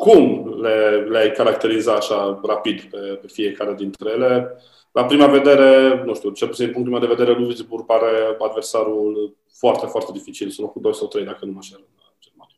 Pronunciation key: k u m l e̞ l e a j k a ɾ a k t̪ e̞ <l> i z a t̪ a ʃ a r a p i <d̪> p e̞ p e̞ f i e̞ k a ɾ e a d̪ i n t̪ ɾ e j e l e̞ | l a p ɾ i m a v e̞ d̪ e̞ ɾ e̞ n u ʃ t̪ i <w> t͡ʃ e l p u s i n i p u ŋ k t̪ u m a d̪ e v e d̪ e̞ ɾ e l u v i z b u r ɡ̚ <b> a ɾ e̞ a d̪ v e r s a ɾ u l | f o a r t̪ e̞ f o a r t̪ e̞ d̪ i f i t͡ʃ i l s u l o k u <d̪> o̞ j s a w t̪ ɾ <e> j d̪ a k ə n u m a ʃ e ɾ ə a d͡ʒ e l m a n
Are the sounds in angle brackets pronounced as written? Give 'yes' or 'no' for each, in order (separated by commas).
no, yes, no, no, yes, yes